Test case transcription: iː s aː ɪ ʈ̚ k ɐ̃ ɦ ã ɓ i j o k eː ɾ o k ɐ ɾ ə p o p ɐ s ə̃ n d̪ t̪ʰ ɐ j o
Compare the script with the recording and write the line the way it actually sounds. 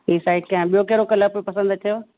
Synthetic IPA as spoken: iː s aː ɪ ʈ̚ k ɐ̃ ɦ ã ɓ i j o k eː ɾ o k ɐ l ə p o p ɐ s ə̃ n d̪ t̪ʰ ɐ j o